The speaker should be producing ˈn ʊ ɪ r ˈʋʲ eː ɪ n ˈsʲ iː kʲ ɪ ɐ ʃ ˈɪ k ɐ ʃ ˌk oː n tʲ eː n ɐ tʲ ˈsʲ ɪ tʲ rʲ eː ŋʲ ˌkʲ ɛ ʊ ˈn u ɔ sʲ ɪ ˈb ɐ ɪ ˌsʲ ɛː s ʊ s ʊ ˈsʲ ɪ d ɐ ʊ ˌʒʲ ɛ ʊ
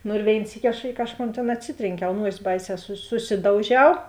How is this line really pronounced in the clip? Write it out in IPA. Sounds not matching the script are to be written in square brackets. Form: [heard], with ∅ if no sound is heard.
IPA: ˈn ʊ ɪ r ˈʋʲ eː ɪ n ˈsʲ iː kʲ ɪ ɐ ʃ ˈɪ k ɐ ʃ ˌk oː n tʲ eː n ɐ tʲ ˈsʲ ɪ tʲ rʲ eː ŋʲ ˌkʲ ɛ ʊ ˈn u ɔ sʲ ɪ ˈb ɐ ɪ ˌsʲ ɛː s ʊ s ʊ ˈsʲ ɪ d ɐ ʊ ˌʒʲ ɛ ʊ